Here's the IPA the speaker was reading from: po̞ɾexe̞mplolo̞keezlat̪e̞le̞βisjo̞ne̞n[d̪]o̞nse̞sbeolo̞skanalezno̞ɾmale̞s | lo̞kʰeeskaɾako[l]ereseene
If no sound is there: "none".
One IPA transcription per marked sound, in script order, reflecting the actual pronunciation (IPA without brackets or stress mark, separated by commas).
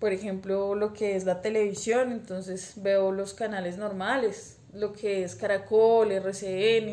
t̪, l